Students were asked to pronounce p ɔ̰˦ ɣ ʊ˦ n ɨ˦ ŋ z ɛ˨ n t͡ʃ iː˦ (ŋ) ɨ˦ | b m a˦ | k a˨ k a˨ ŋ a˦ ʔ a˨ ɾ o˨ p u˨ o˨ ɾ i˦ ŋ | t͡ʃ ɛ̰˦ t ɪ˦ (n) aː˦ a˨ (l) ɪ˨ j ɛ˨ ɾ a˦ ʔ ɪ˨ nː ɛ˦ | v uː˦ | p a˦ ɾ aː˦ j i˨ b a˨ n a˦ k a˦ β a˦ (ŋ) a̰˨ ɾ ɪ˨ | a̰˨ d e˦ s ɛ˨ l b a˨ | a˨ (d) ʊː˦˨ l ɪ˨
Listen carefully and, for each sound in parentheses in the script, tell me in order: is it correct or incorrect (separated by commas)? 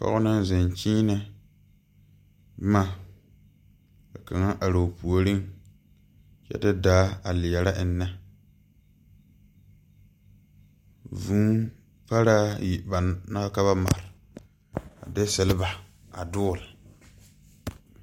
incorrect, incorrect, correct, incorrect, correct